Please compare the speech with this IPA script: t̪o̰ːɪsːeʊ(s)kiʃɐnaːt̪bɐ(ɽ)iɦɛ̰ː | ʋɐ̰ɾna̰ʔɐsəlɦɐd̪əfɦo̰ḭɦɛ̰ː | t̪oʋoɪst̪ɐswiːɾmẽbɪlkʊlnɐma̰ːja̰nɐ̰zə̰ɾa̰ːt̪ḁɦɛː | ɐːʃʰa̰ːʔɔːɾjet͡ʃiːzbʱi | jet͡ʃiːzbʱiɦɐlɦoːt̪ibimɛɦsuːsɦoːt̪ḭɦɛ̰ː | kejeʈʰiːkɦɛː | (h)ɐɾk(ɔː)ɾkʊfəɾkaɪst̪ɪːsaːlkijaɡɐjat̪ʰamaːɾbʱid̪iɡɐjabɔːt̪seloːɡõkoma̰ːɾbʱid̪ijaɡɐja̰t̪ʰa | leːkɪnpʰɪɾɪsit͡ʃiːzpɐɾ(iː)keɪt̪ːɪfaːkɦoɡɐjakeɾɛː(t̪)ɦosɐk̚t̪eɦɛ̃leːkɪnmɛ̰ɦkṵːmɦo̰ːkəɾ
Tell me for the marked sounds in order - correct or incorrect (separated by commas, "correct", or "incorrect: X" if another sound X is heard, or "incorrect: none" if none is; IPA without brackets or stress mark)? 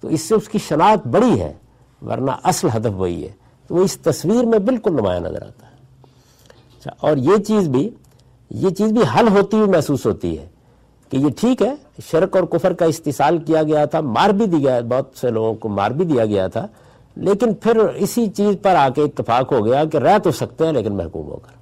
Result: correct, correct, incorrect: ʃ, correct, incorrect: aː, correct